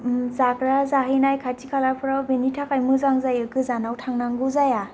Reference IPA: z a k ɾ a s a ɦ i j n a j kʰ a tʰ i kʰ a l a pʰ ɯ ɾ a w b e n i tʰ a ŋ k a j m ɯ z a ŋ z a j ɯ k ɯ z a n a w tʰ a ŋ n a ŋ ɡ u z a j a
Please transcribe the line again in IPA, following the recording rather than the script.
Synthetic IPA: z a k ɾ a z a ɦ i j n a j kʰ a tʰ i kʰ a l a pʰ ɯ ɾ a w b e n i tʰ a k a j m ɯ z a ŋ z a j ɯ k ɯ z a n a w tʰ a ŋ n a ŋ ɡ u z a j a

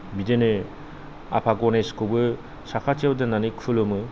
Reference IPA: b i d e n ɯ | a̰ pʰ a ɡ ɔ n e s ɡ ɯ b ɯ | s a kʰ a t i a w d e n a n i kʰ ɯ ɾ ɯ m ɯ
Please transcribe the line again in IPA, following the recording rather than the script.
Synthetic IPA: b i d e n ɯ | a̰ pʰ a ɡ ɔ n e s k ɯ b ɯ | s a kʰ a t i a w d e n a n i kʰ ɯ l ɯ m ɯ

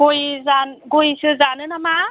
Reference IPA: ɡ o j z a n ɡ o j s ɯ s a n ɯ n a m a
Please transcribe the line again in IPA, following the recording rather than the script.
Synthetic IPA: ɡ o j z a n ɡ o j s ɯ z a n ɯ n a m a

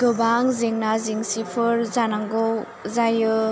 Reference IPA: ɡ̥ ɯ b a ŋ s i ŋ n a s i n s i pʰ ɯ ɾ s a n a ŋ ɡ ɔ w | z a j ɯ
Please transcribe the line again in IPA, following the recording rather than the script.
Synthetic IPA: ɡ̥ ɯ b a ŋ z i ŋ n a z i ŋ s i pʰ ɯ ɾ z a n a ŋ ɡ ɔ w | z a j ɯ

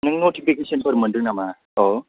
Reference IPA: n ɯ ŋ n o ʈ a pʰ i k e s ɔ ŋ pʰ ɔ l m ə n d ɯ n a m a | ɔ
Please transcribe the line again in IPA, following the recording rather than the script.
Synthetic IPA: n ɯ ŋ n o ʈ i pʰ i k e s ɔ n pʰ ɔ ɾ m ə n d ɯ n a m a | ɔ

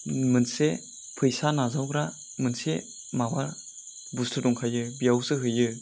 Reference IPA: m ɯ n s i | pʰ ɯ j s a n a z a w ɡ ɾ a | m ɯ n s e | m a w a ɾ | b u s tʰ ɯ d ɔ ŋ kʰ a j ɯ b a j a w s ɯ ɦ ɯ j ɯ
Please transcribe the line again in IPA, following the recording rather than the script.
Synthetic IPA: m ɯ n s e | pʰ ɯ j s a n a z a w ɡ ɾ a | m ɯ n s e | m a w a ɾ | b u s tʰ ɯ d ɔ ŋ kʰ a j ɯ b i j a w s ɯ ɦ ɯ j ɯ

